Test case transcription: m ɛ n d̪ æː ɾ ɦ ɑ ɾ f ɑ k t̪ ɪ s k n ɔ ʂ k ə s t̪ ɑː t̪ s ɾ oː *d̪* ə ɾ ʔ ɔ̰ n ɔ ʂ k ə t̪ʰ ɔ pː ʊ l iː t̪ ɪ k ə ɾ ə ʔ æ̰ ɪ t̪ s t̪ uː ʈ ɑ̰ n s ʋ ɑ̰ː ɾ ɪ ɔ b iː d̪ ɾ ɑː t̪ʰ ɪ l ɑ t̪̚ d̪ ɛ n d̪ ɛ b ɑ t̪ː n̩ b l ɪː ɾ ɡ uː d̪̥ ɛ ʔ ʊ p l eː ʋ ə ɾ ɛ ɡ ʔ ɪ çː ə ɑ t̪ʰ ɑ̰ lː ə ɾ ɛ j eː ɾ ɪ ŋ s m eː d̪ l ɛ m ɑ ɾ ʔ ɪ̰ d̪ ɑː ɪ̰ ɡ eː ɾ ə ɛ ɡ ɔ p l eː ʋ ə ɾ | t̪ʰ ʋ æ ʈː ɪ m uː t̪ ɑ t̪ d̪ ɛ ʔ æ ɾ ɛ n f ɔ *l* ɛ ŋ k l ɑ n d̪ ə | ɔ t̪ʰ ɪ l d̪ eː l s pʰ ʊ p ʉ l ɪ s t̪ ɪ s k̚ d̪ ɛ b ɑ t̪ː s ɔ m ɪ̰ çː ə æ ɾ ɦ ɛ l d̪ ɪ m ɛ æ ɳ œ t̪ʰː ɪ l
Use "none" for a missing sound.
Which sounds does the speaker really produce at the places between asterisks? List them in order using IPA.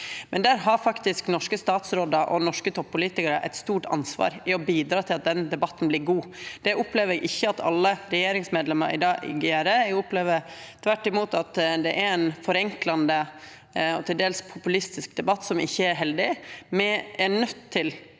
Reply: d̪, ɾ

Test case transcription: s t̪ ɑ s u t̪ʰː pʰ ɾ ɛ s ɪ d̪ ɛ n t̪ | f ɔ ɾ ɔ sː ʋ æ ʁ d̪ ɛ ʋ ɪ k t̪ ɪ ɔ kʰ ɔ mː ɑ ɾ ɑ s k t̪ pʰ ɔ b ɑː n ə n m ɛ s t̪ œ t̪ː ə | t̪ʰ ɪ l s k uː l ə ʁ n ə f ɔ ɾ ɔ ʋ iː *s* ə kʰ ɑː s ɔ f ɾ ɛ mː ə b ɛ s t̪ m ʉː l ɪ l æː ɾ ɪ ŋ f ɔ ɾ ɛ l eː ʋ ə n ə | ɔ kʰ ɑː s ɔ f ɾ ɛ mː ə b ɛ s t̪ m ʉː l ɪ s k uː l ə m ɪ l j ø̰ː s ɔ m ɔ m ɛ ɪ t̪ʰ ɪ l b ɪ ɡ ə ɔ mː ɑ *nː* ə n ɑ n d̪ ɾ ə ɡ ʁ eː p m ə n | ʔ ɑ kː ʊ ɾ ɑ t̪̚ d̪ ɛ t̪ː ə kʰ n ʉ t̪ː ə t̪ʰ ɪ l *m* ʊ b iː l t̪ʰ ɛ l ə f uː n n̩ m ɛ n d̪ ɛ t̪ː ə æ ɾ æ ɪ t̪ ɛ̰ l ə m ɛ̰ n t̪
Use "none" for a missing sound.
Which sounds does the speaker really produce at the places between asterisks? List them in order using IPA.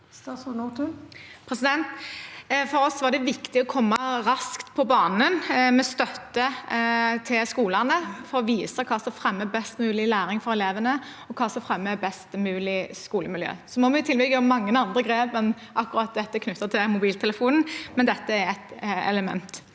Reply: s, ŋː, m

